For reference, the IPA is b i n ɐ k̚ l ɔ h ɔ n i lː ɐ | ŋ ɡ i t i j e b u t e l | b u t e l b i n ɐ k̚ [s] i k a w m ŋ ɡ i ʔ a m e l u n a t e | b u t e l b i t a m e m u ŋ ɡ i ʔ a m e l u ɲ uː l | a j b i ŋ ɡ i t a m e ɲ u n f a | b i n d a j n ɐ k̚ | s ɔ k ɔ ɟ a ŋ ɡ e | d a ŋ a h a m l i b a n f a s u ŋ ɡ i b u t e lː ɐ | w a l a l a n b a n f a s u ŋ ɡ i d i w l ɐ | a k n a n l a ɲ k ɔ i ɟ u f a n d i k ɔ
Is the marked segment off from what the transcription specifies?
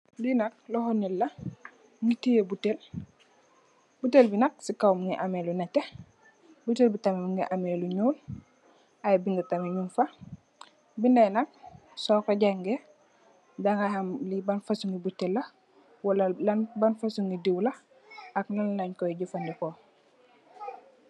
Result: no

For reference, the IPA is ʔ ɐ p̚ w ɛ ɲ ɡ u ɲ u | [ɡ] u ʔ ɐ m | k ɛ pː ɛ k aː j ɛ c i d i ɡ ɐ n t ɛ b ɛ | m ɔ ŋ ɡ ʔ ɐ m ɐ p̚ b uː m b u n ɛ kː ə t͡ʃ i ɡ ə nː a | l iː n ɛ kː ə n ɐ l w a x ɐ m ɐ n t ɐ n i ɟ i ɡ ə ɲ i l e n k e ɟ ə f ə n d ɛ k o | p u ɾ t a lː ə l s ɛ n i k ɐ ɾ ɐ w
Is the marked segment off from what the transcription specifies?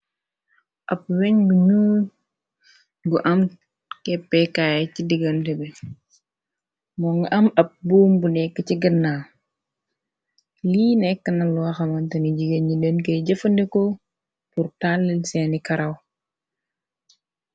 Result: no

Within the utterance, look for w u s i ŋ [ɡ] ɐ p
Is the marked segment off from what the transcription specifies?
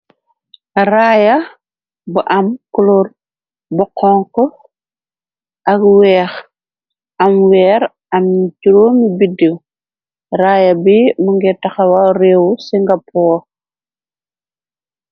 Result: no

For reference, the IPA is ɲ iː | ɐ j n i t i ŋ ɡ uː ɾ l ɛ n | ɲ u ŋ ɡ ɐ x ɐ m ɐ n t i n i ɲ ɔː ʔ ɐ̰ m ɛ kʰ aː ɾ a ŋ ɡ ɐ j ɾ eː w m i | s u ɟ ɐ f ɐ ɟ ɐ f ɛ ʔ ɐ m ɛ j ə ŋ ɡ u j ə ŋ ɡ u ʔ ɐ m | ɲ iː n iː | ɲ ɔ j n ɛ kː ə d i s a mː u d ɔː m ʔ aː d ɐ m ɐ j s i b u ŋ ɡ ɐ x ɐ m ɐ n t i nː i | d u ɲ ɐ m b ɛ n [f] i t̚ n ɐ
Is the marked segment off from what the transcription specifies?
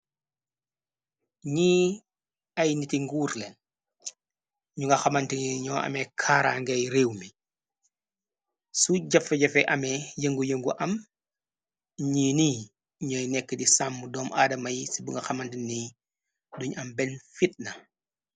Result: no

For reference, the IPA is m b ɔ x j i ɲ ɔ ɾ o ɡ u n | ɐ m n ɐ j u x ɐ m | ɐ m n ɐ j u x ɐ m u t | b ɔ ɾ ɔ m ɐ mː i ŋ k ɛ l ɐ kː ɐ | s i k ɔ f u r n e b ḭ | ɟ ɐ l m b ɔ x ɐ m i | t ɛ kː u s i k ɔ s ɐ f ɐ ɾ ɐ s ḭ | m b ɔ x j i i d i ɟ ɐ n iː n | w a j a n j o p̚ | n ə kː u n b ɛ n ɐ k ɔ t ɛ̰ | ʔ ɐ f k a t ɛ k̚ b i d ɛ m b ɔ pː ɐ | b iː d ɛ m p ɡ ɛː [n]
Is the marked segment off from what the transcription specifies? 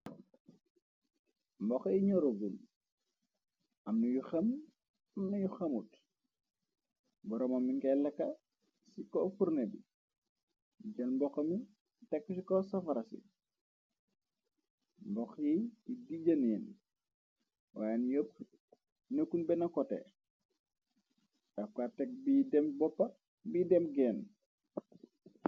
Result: no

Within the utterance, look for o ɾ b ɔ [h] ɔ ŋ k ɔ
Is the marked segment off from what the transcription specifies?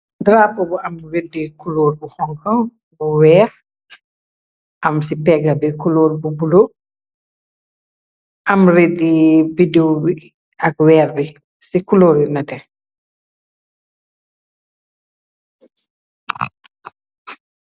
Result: no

